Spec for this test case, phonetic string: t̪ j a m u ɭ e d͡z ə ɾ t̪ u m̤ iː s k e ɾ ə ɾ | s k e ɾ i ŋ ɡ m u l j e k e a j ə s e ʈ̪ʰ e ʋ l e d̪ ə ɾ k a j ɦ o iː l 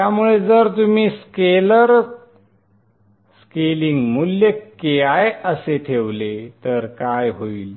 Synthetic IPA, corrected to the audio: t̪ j a m u ɭ e d͡z ə ɾ t̪ u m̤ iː s k e l ə ɾ | s k e l i ŋ ɡ m u l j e k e a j ə s e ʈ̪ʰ e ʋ l e t̪ ə ɾ k a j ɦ o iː l